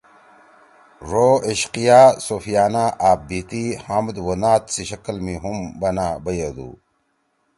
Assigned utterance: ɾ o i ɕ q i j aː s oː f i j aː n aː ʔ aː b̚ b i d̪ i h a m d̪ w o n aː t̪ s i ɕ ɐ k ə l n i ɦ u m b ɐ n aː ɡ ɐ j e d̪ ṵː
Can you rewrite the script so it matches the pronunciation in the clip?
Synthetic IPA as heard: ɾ o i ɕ q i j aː s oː f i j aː n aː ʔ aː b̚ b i t̪ i h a m d̪ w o n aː t̪ s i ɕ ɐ k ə l m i ɦ u m b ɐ n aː b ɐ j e d̪ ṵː